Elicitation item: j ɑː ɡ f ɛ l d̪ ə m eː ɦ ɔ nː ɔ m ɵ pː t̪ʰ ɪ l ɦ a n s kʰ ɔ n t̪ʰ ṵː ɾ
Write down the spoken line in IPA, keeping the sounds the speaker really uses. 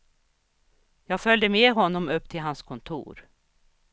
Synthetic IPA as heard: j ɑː ɡ f œ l d̪ ə m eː ɦ ɔ nː ɔ m ɵ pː t̪ʰ ɪ l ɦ a n s kʰ ɔ n t̪ʰ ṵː ɾ